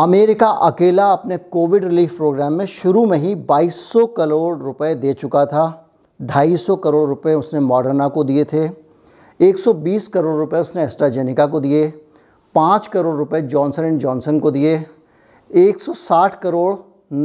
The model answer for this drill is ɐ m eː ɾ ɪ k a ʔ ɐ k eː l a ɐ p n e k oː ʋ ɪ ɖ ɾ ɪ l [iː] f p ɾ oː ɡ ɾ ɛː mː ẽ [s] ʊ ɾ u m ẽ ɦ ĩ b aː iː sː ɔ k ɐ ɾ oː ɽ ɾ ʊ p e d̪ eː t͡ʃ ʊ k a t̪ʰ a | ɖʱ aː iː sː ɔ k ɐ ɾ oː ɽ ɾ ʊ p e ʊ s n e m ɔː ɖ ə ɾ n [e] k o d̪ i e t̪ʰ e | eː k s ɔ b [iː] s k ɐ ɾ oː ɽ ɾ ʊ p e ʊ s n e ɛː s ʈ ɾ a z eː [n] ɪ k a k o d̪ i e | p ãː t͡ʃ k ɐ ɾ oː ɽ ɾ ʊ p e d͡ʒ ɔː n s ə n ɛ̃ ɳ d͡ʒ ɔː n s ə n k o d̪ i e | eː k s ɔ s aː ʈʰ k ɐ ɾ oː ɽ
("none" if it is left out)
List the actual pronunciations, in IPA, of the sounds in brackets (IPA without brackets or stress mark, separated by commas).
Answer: iː, ʃ, a, iː, n